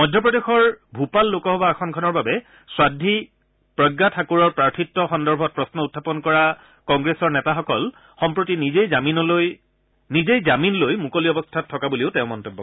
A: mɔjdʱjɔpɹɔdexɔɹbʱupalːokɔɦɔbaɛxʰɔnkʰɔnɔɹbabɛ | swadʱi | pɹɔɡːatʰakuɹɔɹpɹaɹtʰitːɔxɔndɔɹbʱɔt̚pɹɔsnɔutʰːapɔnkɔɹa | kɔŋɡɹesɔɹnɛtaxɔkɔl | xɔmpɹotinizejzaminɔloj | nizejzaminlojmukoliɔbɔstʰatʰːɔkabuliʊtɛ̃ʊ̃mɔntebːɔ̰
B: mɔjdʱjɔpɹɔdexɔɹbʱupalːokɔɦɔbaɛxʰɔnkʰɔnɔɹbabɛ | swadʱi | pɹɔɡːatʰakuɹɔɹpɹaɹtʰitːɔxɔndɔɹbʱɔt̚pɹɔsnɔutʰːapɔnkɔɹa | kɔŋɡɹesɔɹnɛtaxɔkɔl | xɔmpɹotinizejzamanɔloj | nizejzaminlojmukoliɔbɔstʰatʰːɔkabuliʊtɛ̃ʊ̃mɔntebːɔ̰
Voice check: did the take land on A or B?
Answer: A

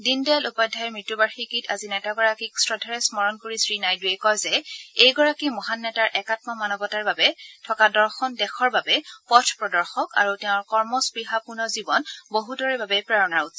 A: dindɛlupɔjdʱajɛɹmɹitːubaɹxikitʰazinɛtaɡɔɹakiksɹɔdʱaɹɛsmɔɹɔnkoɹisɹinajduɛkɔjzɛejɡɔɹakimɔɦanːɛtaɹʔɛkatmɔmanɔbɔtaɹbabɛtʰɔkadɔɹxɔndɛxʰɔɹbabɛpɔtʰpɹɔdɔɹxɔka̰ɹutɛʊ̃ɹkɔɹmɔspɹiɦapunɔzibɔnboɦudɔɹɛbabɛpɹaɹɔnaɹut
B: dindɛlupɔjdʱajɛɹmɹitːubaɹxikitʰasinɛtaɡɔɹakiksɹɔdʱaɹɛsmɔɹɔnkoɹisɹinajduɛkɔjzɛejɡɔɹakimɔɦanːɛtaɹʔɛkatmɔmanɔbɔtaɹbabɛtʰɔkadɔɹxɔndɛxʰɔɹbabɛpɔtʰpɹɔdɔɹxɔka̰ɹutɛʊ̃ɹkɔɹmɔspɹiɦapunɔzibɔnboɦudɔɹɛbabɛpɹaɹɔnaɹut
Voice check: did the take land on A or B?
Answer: A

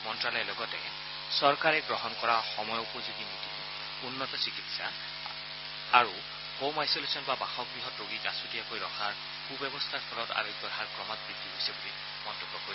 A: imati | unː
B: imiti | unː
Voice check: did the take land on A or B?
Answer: B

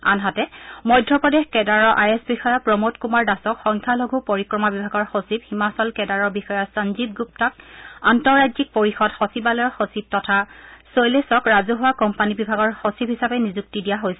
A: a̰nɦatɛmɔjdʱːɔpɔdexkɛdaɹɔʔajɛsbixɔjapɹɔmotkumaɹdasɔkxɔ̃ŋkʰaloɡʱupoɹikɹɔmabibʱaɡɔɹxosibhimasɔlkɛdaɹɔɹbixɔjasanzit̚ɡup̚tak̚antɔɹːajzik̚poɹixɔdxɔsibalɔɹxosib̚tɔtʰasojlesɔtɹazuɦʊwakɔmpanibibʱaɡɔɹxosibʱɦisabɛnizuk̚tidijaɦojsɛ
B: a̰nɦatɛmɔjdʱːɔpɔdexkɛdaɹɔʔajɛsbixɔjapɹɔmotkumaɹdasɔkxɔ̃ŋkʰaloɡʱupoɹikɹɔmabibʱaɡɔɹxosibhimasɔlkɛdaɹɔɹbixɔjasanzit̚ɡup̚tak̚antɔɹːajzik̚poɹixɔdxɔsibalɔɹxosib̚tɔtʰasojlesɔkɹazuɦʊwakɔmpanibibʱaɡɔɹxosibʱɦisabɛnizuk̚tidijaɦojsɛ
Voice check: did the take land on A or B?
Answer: B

